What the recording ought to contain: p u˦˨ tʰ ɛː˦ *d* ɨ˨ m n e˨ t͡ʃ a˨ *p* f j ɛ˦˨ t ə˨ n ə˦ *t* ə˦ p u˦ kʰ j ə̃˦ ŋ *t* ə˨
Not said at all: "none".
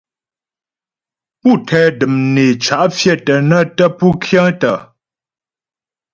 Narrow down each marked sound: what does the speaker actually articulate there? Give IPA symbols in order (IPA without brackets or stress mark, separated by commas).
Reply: d, ʔ, t, t